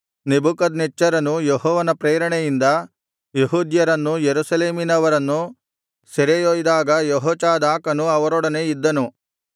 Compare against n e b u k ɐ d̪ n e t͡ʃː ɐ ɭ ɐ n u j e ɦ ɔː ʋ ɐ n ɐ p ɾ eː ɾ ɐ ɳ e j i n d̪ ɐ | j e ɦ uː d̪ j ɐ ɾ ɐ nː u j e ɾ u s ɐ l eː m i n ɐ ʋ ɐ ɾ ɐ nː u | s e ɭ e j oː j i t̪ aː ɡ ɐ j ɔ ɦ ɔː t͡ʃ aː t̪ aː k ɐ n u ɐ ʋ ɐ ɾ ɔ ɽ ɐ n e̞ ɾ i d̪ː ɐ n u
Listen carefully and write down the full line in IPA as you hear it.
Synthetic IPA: n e b u k ɐ d̪ n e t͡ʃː ɐ ɾ ɐ n u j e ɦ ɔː ʋ ɐ n ɐ p ɾ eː ɾ ɐ ɳ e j i n d̪ ɐ | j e ɦ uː d̪ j ɐ ɾ ɐ nː u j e ɾ u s ɐ l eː m i n ɐ ʋ ɐ ɾ ɐ nː u | s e ɾ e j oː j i d̪ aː ɡ ɐ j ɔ ɦ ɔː t͡ʃ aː d̪ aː k ɐ n u ɐ ʋ ɐ ɾ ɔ ɽ ɐ n e̞ i d̪ː ɐ n u